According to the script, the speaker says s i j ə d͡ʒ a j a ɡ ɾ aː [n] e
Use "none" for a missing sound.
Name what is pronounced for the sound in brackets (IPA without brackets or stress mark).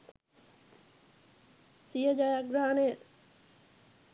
n